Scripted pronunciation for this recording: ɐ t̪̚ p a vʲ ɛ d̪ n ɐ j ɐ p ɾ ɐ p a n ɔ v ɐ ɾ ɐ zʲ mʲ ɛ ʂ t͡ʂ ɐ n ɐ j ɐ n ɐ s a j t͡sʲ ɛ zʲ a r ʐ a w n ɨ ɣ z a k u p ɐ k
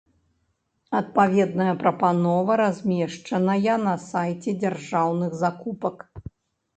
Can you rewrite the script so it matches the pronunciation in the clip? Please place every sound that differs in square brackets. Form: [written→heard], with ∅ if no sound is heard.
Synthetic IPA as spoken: ɐ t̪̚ p a vʲ ɛ d̪ n ɐ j ɐ p ɾ ɐ p a n ɔ v ɐ ɾ [ɐ→a] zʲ mʲ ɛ ʂ t͡ʂ ɐ n ɐ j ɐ n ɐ s a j t͡sʲ ɛ [zʲ→d͡zʲ] a r ʐ a w n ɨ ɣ z a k u p ɐ k